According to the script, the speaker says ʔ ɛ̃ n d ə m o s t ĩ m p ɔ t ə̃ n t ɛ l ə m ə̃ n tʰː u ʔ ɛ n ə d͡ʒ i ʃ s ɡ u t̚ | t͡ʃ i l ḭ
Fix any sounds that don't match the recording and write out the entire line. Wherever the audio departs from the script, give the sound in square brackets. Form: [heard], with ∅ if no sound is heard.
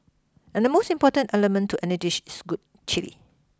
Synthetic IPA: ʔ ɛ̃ n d ə m o s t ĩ m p ɔ t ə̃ n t ɛ l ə m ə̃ n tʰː u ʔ ɛ n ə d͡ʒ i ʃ s ɡ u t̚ | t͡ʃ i l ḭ